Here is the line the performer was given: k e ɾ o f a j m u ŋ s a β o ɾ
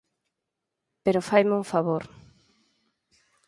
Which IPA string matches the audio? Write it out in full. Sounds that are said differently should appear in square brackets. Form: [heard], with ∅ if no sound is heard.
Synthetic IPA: [p] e ɾ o f a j m u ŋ [f] a β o ɾ